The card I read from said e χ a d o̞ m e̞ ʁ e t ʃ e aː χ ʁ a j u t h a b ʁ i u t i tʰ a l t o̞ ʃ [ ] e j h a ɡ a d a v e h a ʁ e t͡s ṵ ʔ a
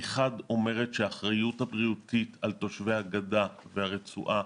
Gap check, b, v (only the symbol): v